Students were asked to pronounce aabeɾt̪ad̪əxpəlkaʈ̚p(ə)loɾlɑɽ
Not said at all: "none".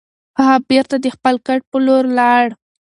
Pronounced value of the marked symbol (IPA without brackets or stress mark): ə